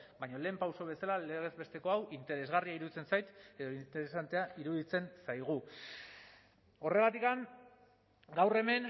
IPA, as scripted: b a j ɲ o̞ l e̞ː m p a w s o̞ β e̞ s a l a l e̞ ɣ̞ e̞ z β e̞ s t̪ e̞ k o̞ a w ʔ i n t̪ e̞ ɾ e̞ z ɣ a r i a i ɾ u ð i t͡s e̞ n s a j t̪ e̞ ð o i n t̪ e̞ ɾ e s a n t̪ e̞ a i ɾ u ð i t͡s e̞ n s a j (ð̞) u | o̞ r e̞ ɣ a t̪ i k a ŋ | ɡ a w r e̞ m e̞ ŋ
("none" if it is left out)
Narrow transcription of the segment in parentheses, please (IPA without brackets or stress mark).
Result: ɣ̞